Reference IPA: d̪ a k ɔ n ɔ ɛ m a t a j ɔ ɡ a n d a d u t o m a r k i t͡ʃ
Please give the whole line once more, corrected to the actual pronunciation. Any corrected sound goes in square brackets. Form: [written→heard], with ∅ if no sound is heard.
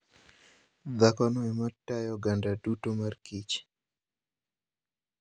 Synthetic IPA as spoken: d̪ a k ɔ n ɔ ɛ m a t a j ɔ ɡ a n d a d u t o m a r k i t͡ʃ